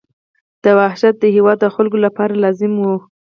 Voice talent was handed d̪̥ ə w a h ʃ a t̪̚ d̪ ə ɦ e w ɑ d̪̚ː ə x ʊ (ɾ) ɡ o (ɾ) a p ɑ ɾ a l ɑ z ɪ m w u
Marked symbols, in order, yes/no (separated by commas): no, no